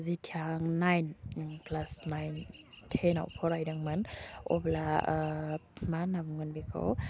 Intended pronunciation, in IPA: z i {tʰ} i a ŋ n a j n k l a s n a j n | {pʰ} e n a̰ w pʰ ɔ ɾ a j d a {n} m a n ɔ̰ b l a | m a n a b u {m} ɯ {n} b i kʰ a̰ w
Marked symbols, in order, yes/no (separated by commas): yes, no, no, no, yes